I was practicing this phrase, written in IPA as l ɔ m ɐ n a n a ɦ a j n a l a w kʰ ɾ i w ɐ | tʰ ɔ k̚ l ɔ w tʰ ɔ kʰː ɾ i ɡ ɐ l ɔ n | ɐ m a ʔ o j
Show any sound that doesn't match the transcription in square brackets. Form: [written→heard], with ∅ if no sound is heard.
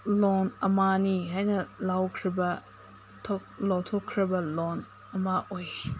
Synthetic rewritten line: l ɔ [m→n] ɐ [n→m] a n [a→i] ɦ a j n [a→ɐ] l a w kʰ ɾ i [w→b] ɐ | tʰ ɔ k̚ l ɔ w tʰ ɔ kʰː ɾ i [ɡ→b] ɐ l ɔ n | ɐ m a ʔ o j

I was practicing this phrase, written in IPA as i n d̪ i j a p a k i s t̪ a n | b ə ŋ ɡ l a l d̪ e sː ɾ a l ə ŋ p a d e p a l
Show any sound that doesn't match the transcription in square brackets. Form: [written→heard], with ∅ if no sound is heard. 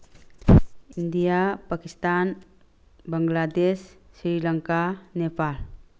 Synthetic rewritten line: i n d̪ i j a p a k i s t̪ a n | b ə ŋ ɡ l a [l→∅] d̪ e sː ɾ [a→i] l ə ŋ [p→k] a [d→n] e p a l

